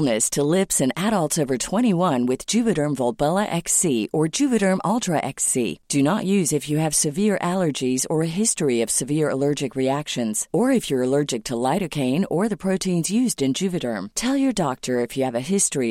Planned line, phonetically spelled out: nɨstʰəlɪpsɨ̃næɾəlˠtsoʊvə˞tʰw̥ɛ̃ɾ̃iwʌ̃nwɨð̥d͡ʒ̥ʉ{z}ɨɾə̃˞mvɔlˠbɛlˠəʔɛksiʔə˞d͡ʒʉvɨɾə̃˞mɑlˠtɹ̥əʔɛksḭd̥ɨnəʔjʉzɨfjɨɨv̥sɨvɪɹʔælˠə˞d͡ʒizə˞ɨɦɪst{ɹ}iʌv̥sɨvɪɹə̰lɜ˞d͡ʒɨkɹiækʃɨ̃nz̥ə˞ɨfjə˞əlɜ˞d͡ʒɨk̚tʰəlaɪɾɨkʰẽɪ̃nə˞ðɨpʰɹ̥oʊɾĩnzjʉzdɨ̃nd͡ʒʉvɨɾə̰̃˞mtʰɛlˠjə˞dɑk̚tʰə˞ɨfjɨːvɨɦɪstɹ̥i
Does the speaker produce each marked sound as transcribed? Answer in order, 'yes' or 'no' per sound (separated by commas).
no, yes